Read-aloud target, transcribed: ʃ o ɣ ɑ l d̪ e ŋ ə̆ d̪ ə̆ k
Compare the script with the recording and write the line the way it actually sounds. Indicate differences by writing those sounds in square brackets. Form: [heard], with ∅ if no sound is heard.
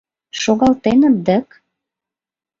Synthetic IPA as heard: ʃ o ɣ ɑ l [t̪] e [n] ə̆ d̪ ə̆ k